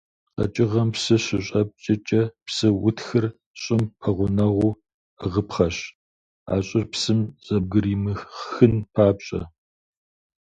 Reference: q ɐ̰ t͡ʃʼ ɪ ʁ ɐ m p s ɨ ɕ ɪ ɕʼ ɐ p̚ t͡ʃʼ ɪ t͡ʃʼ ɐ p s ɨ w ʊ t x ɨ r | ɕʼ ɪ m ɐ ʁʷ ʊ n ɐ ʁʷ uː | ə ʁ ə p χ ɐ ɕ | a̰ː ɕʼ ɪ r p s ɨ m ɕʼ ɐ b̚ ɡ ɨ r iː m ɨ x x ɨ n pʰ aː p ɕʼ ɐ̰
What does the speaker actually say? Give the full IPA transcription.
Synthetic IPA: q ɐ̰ t͡ʃʼ ɪ ʁ ɐ m p s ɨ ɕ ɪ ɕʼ ɐ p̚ t͡ʃʼ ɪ t͡ʃʼ ɐ p s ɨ w ʊ t x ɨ r | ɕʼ ɪ m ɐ ʁʷ ʊ n ɐ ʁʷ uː | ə ʁ ə p χ ɐ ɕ | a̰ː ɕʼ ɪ r p s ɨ m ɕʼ ɐ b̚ ɡ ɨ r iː m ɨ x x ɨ n pʰ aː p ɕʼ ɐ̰